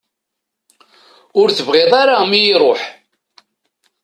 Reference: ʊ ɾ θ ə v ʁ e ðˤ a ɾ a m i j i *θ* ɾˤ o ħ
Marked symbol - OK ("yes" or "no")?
no